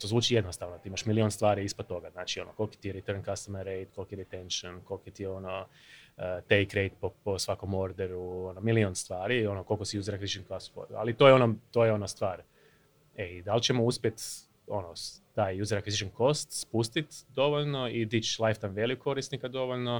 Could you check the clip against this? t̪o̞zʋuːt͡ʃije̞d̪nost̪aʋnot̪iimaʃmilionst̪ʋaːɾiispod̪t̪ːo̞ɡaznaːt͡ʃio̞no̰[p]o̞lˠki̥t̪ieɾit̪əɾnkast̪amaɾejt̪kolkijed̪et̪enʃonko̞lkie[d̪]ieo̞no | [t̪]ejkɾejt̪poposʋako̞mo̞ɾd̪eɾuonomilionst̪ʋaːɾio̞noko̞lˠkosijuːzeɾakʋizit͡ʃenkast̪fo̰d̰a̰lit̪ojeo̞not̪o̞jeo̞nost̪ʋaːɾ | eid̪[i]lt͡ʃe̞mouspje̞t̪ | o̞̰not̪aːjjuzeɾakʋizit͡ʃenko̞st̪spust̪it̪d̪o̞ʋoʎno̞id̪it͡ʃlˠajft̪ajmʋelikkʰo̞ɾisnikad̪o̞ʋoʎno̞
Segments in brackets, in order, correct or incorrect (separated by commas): incorrect, incorrect, correct, incorrect